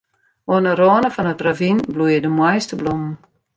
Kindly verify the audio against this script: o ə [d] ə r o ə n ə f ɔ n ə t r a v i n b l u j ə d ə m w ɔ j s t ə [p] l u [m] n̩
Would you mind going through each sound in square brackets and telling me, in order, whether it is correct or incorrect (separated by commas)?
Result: incorrect, incorrect, correct